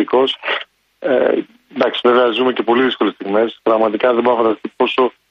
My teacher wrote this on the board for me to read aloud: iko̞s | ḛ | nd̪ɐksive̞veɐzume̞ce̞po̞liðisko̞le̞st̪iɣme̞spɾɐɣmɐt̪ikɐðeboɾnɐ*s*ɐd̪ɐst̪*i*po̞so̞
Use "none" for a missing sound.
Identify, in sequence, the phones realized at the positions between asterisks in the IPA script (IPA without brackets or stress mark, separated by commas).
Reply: f, i